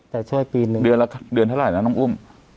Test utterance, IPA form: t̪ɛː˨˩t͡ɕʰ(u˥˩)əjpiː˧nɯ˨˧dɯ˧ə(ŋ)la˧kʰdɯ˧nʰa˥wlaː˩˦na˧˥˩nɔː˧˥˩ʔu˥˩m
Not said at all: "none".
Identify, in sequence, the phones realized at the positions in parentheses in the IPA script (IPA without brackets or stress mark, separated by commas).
u˥˩, n